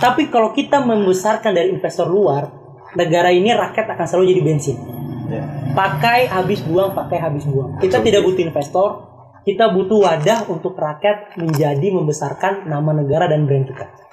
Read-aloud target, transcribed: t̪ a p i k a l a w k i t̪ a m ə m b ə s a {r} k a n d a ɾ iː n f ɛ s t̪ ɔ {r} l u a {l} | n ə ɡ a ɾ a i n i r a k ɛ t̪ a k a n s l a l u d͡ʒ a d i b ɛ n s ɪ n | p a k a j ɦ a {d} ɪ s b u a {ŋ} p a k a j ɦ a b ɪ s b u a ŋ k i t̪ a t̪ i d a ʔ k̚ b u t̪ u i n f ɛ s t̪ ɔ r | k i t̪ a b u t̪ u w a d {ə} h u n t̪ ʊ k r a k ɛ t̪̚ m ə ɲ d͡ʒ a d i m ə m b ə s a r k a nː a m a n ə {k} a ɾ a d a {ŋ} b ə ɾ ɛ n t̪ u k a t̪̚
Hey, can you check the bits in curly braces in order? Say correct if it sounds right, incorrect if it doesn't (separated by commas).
correct, correct, incorrect, incorrect, correct, incorrect, incorrect, incorrect